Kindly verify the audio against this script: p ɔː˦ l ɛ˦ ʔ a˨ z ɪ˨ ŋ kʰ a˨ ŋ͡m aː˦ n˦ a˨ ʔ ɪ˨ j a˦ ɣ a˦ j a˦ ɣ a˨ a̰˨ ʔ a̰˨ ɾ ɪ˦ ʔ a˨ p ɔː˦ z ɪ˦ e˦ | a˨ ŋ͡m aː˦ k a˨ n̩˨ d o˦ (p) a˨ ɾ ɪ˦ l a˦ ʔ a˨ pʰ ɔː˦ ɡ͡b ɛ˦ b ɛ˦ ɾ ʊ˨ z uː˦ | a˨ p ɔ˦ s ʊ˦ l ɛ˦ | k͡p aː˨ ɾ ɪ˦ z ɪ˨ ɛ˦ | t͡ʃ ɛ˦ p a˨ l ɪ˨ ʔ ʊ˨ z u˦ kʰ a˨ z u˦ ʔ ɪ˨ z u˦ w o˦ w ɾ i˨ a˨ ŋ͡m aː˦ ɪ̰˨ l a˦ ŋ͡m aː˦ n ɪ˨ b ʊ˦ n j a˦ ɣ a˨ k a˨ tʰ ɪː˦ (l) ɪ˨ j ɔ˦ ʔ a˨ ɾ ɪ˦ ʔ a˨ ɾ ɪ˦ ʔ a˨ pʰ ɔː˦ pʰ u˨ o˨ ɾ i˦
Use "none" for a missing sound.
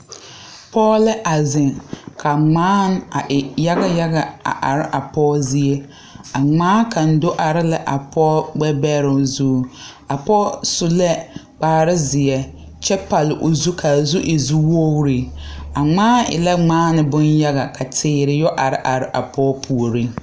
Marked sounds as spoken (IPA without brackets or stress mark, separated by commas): ʔ, ɾ